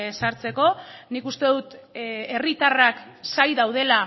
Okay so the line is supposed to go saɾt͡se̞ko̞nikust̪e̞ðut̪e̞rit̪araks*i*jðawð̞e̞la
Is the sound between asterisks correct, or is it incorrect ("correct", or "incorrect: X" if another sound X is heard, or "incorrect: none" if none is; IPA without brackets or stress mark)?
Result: incorrect: a